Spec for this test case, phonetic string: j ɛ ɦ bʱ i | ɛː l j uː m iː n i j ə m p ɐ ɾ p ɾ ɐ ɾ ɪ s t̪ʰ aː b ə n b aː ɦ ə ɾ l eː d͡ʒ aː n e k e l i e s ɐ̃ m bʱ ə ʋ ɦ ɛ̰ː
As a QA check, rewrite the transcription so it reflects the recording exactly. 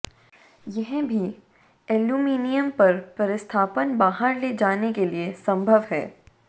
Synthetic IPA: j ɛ ɦ bʱ i | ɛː l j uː m iː n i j ə m p ɐ ɾ p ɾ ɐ ɾ ɪ s t̪ʰ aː p ə n b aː ɦ ə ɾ l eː d͡ʒ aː n e k e l i e s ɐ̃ m bʱ ə ʋ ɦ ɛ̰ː